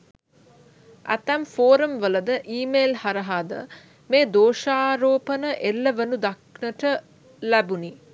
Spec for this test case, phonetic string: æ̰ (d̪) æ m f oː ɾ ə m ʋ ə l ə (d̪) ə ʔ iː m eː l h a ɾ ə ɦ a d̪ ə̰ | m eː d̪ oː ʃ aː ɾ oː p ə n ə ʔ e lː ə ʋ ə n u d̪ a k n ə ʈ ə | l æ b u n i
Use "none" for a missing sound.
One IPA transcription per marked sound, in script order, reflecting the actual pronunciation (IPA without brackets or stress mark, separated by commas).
t̪, d̪